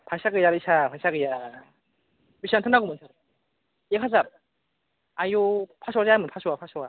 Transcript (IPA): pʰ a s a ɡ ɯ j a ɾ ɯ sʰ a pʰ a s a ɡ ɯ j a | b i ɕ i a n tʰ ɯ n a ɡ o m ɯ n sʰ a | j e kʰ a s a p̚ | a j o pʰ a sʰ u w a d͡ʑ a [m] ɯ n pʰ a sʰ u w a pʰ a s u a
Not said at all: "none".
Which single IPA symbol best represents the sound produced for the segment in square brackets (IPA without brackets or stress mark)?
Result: m